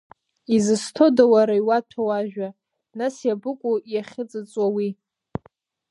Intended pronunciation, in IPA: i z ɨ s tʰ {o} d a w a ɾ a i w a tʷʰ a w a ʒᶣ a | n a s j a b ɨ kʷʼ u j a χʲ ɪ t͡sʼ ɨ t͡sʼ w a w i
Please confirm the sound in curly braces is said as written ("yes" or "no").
yes